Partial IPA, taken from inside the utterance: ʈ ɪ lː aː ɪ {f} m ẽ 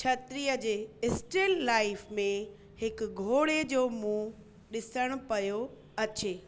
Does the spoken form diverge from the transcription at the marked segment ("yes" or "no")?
no